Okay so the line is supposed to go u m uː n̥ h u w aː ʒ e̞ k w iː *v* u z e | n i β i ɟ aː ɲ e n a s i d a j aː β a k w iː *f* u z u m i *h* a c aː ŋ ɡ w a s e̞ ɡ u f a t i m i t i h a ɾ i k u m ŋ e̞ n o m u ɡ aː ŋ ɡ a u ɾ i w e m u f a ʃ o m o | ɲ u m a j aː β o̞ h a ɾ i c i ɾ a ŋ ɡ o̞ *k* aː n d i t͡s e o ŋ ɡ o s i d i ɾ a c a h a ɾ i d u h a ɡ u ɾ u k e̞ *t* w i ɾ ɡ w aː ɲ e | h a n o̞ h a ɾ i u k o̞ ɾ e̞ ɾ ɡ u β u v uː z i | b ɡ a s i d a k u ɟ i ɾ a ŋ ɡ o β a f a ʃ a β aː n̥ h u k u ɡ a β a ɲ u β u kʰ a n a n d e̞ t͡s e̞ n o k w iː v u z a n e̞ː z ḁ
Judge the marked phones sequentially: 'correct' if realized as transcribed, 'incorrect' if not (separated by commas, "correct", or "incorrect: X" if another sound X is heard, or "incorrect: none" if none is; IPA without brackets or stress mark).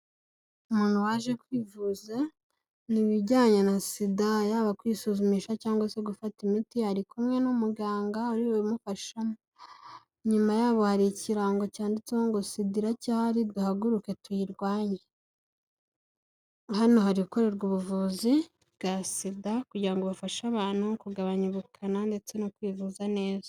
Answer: correct, incorrect: s, incorrect: ʃ, incorrect: c, correct